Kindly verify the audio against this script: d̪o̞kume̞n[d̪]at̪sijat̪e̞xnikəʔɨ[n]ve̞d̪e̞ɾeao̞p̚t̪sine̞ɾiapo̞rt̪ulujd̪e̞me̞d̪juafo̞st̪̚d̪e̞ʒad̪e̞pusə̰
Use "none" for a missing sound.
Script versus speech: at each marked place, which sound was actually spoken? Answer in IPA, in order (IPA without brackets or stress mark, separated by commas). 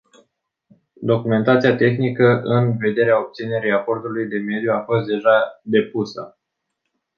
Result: t̪, n